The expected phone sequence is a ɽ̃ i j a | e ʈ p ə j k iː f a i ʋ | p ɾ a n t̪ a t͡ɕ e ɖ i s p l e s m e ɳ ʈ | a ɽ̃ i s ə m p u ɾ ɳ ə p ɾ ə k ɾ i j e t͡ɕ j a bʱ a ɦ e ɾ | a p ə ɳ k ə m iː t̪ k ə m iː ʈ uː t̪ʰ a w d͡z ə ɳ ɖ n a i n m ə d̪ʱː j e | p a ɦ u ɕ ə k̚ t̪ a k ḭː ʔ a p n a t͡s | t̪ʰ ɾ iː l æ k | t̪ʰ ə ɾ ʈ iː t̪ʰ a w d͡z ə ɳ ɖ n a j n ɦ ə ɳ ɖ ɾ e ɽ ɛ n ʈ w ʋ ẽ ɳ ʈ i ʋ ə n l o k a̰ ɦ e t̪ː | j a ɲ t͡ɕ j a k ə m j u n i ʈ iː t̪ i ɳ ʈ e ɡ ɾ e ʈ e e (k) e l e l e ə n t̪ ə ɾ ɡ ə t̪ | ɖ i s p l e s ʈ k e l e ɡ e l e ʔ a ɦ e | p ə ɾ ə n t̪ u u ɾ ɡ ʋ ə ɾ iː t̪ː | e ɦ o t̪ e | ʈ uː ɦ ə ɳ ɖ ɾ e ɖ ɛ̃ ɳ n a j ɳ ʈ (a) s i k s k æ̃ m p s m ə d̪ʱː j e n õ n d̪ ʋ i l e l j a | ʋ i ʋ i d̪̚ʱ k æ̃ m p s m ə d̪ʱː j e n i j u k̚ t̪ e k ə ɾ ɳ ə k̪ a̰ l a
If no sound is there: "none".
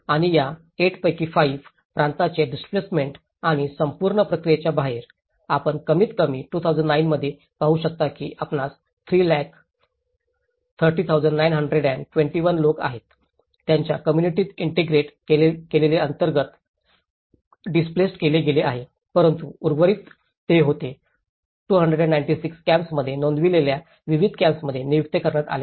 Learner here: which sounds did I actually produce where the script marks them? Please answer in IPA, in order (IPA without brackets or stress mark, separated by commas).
k, i